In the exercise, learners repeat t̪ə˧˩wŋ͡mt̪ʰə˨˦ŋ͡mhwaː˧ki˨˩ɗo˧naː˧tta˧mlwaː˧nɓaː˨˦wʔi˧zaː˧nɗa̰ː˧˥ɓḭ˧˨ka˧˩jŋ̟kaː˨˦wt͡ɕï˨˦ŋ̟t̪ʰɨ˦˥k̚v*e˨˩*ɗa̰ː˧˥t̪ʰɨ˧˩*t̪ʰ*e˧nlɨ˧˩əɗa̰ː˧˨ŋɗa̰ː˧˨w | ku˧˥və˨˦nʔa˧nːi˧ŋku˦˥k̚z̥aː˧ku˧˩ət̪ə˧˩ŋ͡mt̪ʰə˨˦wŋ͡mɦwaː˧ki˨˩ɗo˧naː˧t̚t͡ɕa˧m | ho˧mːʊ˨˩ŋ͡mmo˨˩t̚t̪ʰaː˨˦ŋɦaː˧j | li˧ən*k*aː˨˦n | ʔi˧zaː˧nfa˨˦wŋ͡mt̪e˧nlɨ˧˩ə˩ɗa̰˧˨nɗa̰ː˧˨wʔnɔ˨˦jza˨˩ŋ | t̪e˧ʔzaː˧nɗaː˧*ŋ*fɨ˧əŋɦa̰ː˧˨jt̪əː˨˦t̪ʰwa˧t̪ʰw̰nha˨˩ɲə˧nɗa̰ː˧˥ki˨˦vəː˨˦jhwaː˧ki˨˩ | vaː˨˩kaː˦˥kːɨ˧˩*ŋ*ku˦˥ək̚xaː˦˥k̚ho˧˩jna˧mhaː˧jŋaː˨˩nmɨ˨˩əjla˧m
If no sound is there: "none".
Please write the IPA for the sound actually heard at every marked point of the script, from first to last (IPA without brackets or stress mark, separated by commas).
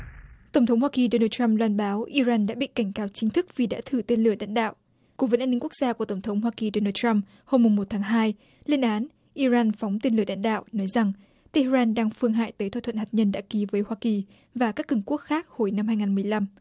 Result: i˨˩, t̪, ʔ, ŋ, ŋ